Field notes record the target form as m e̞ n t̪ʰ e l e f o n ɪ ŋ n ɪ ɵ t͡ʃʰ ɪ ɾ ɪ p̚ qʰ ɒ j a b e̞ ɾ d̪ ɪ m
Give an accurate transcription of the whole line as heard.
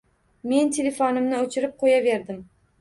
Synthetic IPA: m e̞ n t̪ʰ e l e f o n ɪ m n ɪ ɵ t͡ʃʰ ɪ ɾ ɪ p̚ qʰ o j a v e̞ ɾ d̪ ɪ m